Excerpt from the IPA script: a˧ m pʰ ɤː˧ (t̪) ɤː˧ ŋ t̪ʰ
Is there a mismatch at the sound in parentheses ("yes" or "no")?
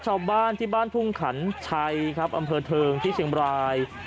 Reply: yes